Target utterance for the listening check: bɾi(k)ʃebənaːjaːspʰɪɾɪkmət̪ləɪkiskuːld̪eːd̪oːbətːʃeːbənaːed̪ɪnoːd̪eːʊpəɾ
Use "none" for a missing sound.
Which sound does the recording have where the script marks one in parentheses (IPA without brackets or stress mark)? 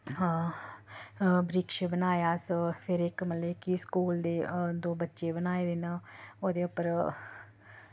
k